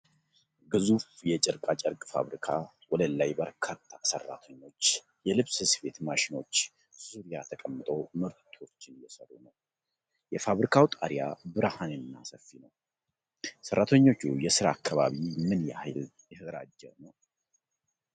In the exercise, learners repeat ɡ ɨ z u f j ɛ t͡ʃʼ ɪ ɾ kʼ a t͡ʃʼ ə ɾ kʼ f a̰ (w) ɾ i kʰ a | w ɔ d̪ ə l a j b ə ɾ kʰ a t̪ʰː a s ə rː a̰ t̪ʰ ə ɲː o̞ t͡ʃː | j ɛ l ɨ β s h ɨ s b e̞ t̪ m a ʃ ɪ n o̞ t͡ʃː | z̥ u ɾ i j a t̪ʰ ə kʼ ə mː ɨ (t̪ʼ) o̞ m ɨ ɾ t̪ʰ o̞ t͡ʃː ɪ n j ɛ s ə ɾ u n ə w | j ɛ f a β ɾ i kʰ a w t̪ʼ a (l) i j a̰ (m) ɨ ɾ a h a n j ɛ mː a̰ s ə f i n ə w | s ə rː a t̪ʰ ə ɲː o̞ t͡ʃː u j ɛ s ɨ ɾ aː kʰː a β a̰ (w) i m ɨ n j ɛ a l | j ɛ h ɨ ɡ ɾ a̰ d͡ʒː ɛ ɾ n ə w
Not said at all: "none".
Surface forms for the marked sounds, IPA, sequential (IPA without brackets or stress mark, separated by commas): β, t̪ʼ, ɾ, b, β